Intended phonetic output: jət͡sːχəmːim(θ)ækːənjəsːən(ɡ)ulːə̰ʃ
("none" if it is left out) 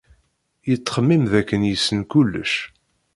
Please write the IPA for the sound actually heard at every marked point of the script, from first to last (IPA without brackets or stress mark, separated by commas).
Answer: ð, k